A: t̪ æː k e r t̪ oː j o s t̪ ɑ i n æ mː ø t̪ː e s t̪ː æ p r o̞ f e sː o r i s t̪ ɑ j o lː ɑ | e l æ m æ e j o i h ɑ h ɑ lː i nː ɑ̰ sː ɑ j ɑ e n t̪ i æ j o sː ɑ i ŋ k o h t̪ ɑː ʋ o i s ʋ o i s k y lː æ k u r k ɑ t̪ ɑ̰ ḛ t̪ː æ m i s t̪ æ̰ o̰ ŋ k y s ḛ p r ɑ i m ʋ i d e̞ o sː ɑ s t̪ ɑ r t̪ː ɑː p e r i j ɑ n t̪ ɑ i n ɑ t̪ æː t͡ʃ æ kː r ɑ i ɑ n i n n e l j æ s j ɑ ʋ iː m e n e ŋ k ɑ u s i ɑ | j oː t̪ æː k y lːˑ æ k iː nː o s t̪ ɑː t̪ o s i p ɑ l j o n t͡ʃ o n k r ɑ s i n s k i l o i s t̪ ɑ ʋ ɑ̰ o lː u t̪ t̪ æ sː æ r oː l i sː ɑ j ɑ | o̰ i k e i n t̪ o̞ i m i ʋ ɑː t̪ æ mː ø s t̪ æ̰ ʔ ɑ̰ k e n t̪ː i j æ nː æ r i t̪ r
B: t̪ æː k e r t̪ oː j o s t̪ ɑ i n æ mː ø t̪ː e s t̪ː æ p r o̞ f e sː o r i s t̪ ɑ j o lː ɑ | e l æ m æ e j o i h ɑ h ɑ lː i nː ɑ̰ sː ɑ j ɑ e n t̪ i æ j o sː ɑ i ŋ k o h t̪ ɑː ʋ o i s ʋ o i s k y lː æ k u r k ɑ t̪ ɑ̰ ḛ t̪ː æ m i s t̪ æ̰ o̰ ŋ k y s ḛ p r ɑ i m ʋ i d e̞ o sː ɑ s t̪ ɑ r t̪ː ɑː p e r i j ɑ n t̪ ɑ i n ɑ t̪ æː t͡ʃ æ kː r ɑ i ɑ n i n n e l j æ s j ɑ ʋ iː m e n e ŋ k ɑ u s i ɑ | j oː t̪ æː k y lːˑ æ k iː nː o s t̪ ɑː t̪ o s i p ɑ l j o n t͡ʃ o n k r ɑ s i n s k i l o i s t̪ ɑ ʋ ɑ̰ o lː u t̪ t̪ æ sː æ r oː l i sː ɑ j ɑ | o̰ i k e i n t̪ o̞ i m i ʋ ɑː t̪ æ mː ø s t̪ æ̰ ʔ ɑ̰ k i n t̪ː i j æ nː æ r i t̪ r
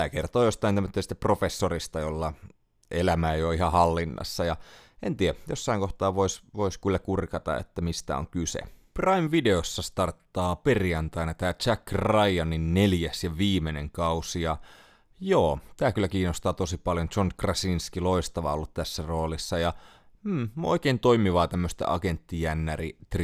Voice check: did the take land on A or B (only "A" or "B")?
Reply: A